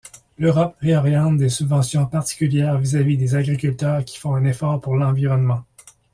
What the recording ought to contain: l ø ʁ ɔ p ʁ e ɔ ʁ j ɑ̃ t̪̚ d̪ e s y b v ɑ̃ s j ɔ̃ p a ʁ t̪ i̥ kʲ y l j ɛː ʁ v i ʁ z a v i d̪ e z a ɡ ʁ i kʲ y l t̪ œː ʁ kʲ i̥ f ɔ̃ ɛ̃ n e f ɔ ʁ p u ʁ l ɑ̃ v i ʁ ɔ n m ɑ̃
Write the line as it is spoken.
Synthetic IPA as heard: l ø ʁ ɔ p ʁ e ɔ ʁ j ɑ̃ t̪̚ d̪ e s y b v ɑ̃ s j ɔ̃ p a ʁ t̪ i̥ kʲ y l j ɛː ʁ v i z a v i d̪ e z a ɡ ʁ i kʲ y l t̪ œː ʁ kʲ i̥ f ɔ̃ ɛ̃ n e f ɔ ʁ p u ʁ l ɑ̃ v i ʁ ɔ n m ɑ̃